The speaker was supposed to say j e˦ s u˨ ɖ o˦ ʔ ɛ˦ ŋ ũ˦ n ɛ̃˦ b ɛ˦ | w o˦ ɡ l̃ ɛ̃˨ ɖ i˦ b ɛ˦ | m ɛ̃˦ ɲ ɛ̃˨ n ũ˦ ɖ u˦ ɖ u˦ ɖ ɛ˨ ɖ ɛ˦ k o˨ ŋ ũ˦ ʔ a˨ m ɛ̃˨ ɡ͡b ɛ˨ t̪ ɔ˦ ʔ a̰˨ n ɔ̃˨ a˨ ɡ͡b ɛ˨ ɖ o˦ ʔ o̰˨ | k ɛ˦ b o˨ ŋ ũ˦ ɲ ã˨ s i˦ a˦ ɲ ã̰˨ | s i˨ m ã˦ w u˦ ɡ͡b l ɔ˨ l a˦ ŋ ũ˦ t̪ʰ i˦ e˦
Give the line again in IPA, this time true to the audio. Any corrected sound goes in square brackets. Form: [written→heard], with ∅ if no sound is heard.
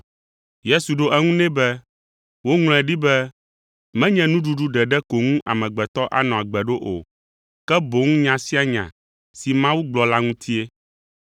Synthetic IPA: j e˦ s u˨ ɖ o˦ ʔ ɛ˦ ŋ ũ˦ n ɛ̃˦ b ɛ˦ | w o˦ [ɡ→ŋ] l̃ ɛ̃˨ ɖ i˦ b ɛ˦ | m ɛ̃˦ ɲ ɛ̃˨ n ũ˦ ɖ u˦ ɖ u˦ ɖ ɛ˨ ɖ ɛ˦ k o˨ ŋ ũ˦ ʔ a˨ m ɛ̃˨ ɡ͡b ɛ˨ t̪ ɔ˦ ʔ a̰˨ n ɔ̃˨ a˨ ɡ͡b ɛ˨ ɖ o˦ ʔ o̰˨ | k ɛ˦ b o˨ ŋ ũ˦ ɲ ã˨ s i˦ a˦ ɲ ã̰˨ | s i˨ m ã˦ w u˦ ɡ͡b l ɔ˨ l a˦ ŋ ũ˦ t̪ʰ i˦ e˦